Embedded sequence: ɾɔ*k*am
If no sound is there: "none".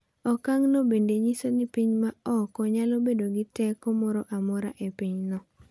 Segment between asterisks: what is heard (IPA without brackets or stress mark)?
ʔ